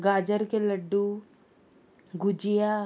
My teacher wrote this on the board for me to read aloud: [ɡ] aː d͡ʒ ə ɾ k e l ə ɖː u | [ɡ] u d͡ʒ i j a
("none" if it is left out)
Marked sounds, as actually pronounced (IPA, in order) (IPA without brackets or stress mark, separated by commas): ɡ, ɡ